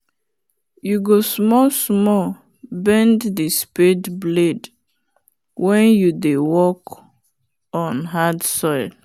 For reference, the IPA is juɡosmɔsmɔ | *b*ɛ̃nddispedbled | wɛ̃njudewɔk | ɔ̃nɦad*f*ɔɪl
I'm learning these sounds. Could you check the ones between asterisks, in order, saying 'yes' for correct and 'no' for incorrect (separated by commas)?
yes, no